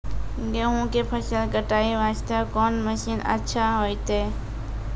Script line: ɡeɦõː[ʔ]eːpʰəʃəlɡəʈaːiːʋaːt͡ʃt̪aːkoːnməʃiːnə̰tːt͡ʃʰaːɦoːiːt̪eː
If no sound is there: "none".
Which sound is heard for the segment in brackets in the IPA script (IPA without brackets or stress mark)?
k